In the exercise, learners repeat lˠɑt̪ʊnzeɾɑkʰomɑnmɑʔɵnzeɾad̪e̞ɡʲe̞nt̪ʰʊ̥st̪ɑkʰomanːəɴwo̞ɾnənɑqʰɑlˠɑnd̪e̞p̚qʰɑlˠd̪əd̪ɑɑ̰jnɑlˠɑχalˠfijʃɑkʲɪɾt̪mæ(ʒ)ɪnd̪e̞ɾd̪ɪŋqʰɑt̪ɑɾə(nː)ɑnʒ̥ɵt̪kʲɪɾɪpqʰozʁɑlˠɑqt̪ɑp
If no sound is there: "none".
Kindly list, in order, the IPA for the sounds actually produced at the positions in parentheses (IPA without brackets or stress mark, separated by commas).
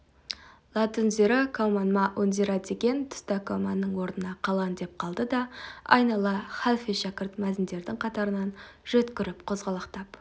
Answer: z, n